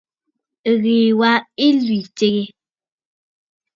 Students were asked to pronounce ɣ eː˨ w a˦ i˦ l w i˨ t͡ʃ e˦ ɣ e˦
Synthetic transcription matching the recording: ɣ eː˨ w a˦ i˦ l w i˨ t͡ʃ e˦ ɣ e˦